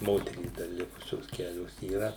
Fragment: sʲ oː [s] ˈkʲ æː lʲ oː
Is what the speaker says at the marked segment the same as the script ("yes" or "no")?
yes